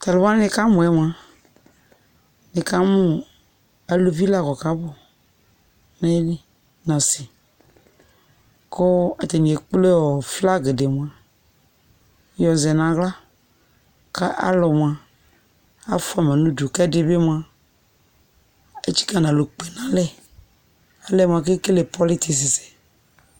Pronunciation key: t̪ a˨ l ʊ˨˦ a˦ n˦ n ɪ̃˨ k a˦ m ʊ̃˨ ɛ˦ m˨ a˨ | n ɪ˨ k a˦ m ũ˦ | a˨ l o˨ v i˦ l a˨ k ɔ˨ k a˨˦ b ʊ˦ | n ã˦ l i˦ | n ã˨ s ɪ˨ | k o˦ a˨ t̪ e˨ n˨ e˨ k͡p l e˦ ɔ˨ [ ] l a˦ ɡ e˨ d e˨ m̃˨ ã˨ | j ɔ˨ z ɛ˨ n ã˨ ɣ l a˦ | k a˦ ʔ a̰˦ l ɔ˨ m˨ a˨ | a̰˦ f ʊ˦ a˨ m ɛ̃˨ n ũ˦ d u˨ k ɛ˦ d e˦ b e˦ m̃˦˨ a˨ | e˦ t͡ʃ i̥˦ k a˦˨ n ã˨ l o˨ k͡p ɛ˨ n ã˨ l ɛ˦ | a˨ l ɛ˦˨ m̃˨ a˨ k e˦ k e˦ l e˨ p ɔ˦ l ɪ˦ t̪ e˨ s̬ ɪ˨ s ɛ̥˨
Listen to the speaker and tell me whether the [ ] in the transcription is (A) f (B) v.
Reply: A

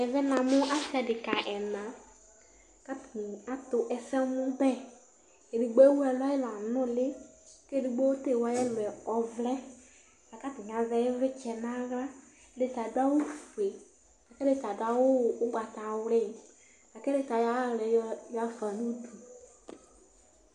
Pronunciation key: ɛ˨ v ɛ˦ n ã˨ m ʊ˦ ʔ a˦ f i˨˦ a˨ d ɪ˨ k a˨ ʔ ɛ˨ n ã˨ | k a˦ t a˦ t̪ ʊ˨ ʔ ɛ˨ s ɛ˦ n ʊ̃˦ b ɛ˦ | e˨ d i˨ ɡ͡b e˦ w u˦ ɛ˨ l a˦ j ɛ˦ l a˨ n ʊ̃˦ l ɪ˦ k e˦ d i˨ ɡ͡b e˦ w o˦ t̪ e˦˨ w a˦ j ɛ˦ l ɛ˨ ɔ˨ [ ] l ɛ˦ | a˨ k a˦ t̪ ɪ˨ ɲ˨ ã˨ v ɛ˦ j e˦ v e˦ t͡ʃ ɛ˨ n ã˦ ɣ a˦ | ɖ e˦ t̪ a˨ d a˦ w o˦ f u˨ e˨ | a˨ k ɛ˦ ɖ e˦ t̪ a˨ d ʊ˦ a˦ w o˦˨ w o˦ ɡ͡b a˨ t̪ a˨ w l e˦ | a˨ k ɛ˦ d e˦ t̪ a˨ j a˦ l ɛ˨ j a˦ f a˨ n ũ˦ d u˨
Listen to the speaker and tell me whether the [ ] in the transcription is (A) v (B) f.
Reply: A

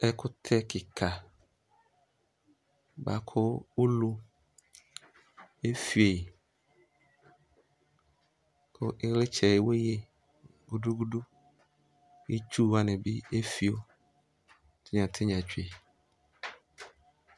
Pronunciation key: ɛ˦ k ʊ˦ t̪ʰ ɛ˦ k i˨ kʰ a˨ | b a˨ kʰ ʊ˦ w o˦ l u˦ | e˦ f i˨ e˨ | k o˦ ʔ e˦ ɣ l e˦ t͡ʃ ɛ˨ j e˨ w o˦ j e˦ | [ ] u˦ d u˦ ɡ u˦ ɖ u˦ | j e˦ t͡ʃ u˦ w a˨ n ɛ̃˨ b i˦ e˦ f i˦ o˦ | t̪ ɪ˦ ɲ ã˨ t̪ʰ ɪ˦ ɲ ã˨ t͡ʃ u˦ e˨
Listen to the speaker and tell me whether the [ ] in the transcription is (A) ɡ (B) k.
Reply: A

